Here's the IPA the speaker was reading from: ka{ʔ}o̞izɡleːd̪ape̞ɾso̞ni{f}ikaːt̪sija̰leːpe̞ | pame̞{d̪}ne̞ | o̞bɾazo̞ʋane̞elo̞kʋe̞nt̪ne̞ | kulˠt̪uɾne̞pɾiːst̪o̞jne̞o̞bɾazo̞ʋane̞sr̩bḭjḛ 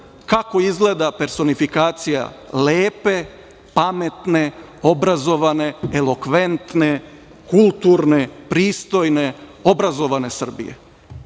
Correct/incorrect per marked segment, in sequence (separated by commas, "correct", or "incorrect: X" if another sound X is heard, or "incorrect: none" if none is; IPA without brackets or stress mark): incorrect: k, correct, incorrect: t̪